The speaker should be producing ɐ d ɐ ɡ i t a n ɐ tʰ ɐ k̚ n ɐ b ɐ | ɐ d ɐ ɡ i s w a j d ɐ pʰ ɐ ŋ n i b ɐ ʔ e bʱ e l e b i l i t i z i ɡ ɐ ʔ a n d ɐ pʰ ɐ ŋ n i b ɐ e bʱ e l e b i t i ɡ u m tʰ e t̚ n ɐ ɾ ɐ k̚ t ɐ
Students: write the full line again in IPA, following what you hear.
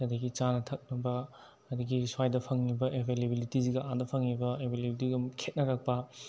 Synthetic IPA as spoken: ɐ d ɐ ɡ i t͡ʃ a n ɐ tʰ ɐ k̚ n ɐ b ɐ | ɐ d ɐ ɡ i s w a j d ɐ pʰ ɐ ŋ n i b ɐ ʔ e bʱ e l e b i l i t i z i ɡ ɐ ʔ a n d ɐ pʰ ɐ ŋ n i b ɐ e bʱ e l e b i t i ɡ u m kʰ e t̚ n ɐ ɾ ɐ k̚ p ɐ